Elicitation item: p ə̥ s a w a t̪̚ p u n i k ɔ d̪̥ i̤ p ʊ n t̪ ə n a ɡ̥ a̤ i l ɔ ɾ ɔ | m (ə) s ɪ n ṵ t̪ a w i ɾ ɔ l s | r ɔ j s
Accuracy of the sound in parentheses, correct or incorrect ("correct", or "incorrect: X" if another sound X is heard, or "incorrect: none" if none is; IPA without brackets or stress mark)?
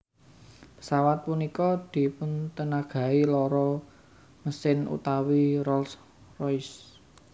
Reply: correct